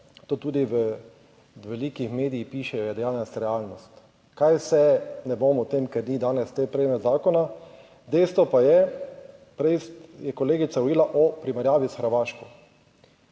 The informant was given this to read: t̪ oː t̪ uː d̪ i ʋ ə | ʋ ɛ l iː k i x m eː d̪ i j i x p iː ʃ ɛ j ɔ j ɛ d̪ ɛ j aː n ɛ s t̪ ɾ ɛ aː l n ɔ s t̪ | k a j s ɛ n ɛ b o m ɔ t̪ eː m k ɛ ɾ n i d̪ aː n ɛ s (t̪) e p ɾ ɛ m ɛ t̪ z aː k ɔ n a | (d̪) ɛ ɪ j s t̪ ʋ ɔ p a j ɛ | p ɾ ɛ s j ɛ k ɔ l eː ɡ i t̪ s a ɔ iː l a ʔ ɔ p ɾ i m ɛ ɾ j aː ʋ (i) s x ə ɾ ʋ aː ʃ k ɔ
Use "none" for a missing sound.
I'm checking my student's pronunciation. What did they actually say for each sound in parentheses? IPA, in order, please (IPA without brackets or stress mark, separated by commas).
t̪, d̪, i